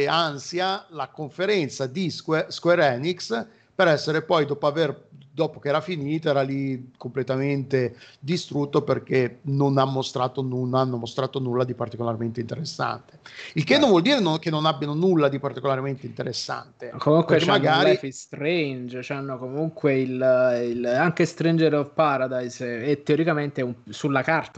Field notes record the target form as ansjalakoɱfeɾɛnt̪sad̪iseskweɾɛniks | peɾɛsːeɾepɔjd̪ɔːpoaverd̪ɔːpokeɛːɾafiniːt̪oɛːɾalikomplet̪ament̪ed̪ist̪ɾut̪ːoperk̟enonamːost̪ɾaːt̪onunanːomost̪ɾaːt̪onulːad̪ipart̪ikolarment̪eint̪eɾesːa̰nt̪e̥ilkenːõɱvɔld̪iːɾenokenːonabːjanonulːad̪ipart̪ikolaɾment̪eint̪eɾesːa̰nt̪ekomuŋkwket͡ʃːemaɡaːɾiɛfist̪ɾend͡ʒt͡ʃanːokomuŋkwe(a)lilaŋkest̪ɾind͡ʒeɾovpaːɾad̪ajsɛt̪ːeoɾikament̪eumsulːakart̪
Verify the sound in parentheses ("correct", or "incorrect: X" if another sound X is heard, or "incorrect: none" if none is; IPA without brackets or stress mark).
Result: incorrect: i